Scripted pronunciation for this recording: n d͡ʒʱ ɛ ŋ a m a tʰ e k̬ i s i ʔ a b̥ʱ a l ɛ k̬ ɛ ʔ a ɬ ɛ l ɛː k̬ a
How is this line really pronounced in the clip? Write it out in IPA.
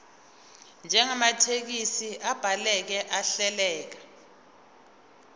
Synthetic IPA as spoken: n d͡ʒʱ ɛ ŋ a m a tʰ e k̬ i s i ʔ a b̥ʱ a l ɛ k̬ ɛ ʔ a ɬ ɛ l ɛː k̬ a